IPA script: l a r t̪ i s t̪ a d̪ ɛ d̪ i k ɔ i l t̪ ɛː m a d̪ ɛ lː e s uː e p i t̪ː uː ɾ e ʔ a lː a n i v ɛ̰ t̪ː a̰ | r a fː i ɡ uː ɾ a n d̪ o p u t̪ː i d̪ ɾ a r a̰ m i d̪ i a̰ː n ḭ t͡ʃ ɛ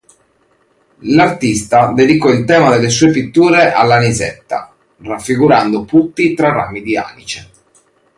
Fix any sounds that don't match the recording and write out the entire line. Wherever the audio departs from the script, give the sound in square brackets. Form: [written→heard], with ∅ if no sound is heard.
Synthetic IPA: l a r t̪ i s t̪ a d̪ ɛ d̪ i k ɔ i l t̪ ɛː m a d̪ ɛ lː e s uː e p i t̪ː uː ɾ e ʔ a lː a n i [v→z] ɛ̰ t̪ː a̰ | r a fː i ɡ [uː→u] ɾ a n d̪ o p u t̪ː i [d̪→t̪] ɾ a r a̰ m i d̪ i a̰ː n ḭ t͡ʃ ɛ